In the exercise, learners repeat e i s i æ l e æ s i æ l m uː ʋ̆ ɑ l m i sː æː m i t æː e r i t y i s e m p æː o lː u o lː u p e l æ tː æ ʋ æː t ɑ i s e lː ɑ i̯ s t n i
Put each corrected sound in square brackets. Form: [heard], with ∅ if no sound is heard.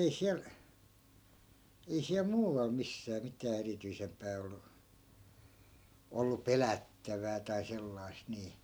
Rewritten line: e i s i æ l e [i] s i æ l m uː ʋ̆ ɑ l m i sː æː m i t æː e r i t y i s e m p æː o lː u o lː u p e l æ tː æ ʋ æː t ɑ i s e lː ɑ i̯ s t n [iː]